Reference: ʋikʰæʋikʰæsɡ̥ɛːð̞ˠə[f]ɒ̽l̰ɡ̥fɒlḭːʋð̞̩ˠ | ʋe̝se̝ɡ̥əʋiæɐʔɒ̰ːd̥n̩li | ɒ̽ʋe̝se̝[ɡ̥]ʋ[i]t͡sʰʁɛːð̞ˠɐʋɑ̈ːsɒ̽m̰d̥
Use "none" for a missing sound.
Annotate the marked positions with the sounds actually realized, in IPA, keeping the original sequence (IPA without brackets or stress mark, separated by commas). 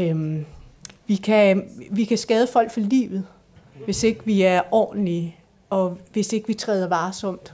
f, ɡ̥, i